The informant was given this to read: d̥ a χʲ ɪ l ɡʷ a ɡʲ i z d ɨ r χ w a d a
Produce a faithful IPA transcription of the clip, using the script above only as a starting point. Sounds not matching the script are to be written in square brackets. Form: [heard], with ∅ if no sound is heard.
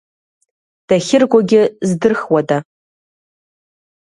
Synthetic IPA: d̥ a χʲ ɪ [r] ɡʷ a ɡʲ [ɪ] z d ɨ r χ w a d a